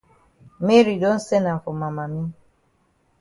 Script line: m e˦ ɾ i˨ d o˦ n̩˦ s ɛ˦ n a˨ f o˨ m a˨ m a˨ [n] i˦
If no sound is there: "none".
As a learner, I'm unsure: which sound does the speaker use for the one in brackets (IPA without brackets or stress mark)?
m